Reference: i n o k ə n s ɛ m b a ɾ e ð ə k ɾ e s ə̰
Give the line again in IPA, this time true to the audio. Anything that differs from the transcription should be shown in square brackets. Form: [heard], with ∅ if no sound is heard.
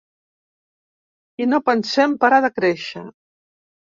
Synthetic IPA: i n o [p] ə n s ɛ m [p] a ɾ [a] ð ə k ɾ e [ʃ] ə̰